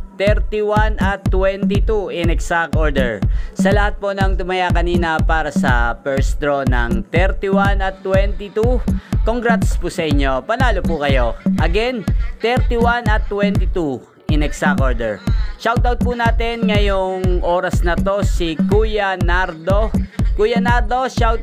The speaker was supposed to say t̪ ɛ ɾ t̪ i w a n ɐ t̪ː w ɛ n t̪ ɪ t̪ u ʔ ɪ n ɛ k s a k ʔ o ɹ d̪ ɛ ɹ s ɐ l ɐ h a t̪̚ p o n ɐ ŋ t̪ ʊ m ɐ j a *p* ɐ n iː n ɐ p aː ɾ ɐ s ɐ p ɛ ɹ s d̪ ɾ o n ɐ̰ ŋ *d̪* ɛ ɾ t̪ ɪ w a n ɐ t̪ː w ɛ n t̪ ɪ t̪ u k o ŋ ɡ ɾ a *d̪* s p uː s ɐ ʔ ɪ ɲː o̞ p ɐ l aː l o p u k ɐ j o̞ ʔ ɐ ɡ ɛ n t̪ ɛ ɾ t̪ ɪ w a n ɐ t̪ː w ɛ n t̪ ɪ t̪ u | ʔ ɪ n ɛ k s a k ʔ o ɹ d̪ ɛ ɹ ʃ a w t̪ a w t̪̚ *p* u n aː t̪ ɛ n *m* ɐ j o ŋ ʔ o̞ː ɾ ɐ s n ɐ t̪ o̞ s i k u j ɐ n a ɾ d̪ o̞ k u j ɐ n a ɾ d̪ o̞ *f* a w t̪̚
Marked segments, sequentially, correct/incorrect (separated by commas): incorrect, incorrect, incorrect, correct, incorrect, incorrect